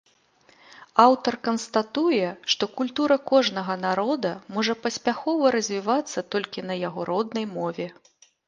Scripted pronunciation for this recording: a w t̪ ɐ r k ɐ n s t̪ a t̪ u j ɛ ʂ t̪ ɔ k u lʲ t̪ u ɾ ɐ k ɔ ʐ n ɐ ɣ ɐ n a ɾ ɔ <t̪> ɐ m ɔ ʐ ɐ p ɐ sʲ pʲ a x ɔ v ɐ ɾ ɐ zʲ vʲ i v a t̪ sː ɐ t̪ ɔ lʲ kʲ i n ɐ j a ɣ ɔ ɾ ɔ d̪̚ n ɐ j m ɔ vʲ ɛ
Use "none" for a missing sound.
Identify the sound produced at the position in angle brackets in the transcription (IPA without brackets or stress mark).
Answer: d̪